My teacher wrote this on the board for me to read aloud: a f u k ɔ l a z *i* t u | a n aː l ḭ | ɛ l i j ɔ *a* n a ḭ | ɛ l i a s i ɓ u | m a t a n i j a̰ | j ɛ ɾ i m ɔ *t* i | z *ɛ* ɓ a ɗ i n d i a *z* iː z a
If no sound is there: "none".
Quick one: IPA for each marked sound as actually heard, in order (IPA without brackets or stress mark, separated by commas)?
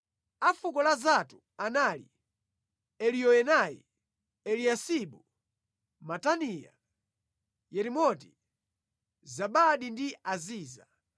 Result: a, ɛ, t, a, z